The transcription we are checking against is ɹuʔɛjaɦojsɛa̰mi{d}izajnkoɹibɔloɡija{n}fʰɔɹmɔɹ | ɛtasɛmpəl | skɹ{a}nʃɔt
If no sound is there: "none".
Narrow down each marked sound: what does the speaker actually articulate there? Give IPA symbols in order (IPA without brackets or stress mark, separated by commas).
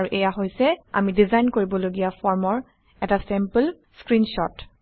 d, none, i